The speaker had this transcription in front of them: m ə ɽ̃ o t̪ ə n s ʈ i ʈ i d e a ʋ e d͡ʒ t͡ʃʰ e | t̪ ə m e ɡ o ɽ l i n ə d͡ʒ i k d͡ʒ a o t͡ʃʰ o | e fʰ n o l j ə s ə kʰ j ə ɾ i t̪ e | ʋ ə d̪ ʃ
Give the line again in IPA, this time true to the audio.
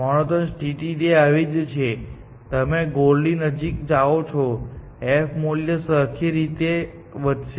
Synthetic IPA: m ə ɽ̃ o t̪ ə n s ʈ i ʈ i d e a ʋ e d͡ʒ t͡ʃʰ e | t̪ ə m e ɡ o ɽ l i n ə d͡ʒ i k d͡ʒ a o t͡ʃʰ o | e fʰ m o l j ə s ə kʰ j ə ɾ i t̪ e | ʋ ə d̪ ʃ